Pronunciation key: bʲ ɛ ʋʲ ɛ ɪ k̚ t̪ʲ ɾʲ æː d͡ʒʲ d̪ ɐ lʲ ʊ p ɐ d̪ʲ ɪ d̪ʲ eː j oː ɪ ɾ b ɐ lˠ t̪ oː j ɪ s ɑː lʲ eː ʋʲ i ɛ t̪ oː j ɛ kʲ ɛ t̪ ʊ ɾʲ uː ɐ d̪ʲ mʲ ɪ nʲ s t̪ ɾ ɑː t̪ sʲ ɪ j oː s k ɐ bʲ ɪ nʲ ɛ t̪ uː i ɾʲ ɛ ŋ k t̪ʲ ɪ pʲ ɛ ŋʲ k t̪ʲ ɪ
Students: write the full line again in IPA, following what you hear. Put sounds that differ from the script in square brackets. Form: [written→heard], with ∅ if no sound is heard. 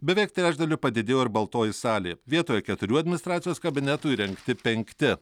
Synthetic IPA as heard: bʲ ɛ ʋʲ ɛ ɪ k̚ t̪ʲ ɾʲ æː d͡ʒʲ d̪ ɐ lʲ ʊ p ɐ d̪ʲ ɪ d̪ʲ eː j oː ɪ ɾ b ɐ lˠ t̪ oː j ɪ s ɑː lʲ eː ʋʲ i ɛ t̪ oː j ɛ kʲ ɛ t̪ ʊ ɾʲ uː ɐ d̪ʲ mʲ ɪ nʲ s t̪ ɾ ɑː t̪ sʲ ɪ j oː s k ɐ bʲ ɪ nʲ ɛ t̪ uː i ɾʲ ɛ ŋ k t̪ʲ ɪ pʲ ɛ ŋʲ k t̪ʲ ɪ